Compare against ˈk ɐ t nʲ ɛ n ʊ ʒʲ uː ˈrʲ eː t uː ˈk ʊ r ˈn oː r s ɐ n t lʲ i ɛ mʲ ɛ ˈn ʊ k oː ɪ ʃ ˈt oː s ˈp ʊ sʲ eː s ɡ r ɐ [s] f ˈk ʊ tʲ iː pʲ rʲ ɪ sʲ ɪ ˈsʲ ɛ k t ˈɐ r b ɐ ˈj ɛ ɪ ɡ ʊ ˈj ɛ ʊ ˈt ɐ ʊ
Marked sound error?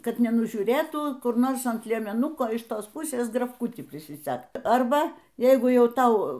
yes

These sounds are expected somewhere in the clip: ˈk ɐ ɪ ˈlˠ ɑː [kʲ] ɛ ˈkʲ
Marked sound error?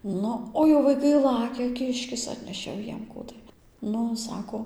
no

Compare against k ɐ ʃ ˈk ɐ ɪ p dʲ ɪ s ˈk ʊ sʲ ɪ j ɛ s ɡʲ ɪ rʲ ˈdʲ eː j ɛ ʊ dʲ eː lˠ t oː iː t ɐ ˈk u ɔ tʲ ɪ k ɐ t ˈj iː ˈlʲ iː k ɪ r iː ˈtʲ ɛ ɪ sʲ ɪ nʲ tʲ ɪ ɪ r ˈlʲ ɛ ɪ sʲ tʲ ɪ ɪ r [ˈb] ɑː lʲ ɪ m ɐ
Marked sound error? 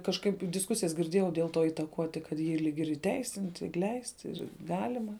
yes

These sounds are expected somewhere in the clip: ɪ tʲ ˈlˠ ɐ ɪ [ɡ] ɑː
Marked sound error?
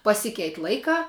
yes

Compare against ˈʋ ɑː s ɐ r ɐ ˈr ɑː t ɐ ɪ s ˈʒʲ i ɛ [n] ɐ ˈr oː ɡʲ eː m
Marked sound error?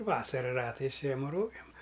yes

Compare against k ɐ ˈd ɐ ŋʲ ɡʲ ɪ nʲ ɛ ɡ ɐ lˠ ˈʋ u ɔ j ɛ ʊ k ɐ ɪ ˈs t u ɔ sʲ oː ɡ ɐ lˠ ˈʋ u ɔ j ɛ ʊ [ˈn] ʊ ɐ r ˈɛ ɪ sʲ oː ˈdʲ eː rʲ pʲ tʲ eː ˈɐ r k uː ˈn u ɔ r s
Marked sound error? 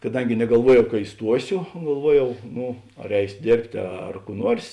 no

